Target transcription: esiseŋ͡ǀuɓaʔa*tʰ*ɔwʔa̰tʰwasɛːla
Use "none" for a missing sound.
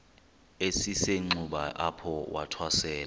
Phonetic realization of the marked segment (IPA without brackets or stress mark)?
pʰ